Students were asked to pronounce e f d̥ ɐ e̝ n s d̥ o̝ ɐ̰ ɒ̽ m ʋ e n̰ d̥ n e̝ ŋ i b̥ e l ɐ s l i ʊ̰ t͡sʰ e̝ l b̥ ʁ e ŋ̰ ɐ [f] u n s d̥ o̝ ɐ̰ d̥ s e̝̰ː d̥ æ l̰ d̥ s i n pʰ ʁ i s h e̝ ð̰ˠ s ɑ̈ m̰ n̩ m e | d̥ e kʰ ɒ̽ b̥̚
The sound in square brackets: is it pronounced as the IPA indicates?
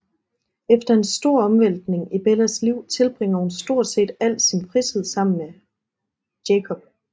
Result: no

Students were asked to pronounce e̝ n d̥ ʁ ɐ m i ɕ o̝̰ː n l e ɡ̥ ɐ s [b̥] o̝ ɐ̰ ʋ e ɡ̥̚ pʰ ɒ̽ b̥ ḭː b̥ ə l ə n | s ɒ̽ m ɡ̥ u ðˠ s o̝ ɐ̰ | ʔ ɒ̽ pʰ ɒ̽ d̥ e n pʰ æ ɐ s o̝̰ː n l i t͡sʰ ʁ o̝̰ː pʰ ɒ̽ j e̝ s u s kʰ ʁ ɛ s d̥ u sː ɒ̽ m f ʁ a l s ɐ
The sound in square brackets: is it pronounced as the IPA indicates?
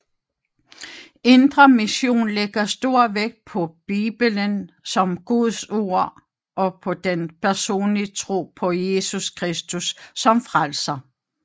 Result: no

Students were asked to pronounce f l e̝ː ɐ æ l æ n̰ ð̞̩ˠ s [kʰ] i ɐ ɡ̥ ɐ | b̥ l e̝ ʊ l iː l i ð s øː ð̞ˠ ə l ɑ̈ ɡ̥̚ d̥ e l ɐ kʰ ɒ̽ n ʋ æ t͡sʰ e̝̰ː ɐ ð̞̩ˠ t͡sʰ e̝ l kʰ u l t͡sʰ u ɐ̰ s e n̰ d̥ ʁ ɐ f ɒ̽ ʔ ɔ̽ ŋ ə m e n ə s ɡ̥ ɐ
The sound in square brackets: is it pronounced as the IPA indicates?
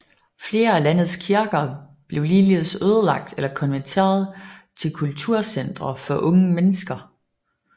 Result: yes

